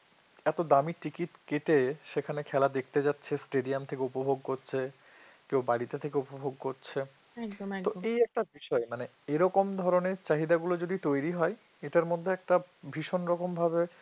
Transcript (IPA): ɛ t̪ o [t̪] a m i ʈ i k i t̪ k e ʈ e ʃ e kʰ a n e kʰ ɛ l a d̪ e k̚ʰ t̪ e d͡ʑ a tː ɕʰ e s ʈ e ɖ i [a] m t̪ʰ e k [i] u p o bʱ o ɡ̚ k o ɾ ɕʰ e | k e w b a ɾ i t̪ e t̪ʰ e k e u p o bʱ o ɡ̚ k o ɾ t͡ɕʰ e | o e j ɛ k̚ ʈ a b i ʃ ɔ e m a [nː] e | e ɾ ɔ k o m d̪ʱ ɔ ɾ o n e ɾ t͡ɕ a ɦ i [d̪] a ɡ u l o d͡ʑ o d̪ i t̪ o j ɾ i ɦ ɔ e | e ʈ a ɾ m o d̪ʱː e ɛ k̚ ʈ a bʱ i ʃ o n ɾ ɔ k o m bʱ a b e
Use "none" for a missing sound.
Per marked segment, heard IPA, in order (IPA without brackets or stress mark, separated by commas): d̪, a, e, n, d̪